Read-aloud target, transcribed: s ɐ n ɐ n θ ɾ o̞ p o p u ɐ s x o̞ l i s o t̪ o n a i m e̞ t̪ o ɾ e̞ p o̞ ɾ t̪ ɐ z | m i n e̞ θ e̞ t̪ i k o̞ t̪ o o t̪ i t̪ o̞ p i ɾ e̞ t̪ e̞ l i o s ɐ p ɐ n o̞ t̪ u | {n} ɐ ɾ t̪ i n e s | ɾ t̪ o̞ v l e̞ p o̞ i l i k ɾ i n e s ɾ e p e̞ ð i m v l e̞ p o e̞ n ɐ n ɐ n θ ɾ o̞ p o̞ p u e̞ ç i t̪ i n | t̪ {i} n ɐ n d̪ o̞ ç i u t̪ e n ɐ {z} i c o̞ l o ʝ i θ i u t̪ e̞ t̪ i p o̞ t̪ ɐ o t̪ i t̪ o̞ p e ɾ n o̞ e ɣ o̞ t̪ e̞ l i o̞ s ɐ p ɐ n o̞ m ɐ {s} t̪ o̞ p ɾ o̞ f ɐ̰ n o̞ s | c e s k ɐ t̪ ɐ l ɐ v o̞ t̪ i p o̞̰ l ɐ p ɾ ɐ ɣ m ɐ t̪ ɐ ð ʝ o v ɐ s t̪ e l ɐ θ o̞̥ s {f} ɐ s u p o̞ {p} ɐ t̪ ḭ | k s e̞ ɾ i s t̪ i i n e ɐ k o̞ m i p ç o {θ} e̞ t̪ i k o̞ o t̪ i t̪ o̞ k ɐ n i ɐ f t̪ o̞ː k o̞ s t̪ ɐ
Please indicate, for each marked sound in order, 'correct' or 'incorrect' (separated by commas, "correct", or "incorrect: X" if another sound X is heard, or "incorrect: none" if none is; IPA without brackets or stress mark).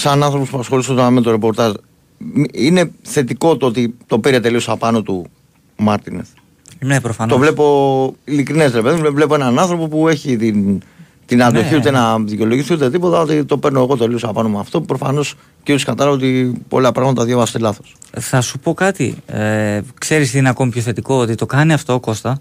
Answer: incorrect: m, correct, incorrect: ð, incorrect: f, incorrect: θ, incorrect: k, correct